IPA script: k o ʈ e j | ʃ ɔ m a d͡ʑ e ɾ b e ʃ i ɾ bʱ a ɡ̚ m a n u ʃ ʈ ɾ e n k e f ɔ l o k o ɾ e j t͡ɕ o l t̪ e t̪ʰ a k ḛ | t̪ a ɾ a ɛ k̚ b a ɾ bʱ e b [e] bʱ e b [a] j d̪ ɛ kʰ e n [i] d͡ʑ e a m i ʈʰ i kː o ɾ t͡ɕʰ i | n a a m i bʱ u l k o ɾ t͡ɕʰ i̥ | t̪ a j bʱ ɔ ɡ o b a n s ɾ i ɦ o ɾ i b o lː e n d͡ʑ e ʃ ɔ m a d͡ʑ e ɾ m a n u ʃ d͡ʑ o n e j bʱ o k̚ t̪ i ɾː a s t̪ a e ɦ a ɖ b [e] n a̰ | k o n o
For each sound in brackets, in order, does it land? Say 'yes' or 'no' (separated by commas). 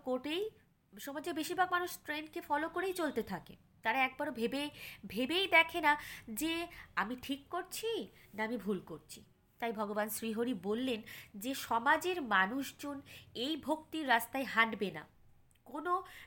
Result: yes, no, no, yes